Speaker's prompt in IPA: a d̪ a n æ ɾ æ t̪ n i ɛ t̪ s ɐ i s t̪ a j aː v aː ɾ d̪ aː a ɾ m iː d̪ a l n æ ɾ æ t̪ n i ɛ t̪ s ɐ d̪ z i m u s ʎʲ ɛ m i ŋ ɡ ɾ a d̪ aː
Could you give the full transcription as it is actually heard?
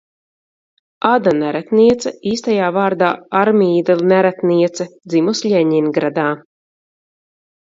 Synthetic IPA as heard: a d̪ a n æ ɾ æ t̪ n i ɛ t̪ s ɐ iː s t̪ a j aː v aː ɾ d̪ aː a ɾ m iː d̪ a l n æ ɾ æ t̪ n i ɛ t̪ s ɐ d̪ z i m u s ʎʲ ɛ ɲ i n ɡ ɾ a d̪ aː